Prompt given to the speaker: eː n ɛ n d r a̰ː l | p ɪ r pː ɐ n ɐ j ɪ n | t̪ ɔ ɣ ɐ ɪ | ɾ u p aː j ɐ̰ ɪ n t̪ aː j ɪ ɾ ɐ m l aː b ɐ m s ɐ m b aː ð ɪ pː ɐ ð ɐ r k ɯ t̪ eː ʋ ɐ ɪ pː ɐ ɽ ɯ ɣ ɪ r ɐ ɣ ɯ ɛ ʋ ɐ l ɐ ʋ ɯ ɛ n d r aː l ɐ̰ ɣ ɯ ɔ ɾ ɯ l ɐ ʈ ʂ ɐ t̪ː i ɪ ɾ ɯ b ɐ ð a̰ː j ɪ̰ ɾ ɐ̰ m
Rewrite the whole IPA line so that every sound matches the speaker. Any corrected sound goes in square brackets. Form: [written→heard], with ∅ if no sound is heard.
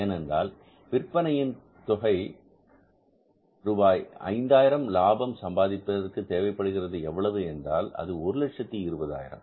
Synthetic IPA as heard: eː n ɛ n d r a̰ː l | p ɪ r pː ɐ n ɐ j ɪ n | t̪ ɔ ɣ ɐ ɪ | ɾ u [p→b] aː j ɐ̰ ɪ n [t̪→d̪] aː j ɪ ɾ ɐ m l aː b ɐ m s ɐ m b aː ð ɪ pː ɐ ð ɐ r k ɯ t̪ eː ʋ ɐ ɪ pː ɐ ɽ ɯ ɣ ɪ r ɐ [ɣ→ð] ɯ ɛ [ʋ→ʋː] ɐ [l→ɭ] ɐ ʋ ɯ ɛ n d r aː l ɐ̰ [ɣ→ð] ɯ ɔ ɾ ɯ l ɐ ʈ ʂ ɐ t̪ː i ɪ ɾ ɯ b ɐ ð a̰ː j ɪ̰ ɾ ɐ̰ m